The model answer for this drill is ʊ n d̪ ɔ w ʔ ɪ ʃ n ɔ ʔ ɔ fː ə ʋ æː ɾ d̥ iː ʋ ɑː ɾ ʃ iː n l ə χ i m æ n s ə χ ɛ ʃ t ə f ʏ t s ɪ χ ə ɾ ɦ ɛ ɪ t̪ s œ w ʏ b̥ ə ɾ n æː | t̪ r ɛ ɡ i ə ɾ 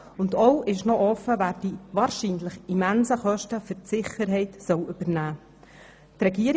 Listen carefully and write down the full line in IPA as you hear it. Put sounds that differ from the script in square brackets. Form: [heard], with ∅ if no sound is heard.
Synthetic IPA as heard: ʊ n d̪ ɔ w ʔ ɪ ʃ n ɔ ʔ ɔ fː ə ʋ æː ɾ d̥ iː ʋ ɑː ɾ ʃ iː n l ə χ i m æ n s ə χ [œ] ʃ t ə f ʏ t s ɪ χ ə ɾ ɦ ɛ ɪ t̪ s œ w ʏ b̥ ə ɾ n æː | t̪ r ɛ ɡ i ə ɾ